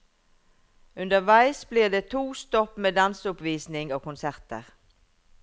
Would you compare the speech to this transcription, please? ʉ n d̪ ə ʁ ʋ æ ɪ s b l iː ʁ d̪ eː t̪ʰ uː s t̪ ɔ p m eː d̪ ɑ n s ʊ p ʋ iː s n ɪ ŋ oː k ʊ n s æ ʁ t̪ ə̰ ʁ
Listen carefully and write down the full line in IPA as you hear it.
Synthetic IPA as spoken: ʉ n d̪ ə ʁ ʋ æ ɪ s b l iː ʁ d̪ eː t̪ʰ uː s t̪ ɔ p m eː d̪ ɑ n s ʊ p ʋ iː s n ɪ ŋ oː k ʊ n s æ ʁ t̪ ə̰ ʁ